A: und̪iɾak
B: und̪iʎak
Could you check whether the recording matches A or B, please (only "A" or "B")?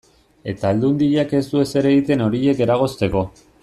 B